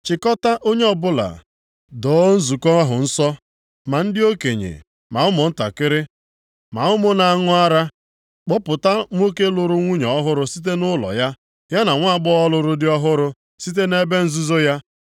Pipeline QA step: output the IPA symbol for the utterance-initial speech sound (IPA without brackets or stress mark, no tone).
t͡ʃ